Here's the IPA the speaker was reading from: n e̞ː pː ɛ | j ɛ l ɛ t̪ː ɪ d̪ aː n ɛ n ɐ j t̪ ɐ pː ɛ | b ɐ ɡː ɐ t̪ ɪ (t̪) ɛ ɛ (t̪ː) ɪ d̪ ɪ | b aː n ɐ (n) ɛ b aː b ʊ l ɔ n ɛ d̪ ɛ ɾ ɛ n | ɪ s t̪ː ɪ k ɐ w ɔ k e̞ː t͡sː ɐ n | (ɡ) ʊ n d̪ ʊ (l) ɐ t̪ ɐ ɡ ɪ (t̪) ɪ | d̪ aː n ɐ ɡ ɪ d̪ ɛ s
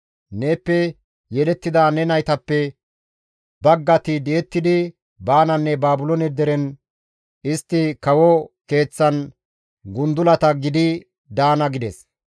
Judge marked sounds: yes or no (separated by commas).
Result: no, yes, no, yes, yes, no